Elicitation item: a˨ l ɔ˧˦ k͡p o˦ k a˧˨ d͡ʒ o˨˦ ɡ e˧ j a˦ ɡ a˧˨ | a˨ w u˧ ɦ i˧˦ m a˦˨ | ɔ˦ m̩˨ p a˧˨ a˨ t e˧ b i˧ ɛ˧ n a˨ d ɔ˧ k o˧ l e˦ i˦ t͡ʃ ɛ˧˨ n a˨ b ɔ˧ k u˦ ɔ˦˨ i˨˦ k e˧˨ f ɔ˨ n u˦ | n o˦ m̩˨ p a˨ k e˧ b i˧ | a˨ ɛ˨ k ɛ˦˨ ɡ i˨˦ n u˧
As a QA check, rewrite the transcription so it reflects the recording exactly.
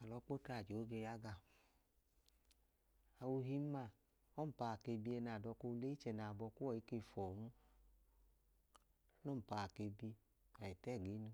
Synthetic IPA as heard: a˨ l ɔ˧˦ k͡p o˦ t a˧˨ d͡ʒ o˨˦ ɡ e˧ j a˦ ɡ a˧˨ | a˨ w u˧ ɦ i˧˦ m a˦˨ | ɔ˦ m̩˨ p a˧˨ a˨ k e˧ b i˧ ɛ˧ n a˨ d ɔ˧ k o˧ l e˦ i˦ t͡ʃ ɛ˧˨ n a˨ b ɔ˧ k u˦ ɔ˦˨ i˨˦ k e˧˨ f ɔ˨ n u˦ | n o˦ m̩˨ p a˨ k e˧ b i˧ | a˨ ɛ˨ t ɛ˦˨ ɡ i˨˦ n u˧